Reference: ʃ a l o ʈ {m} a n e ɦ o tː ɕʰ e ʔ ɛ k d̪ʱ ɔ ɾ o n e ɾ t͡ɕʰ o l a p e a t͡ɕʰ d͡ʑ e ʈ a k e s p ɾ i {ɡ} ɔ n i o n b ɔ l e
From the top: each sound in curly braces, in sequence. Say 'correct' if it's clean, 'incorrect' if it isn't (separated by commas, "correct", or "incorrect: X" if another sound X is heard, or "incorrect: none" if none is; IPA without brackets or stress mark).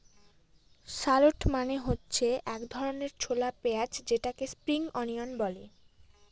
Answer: correct, incorrect: ŋ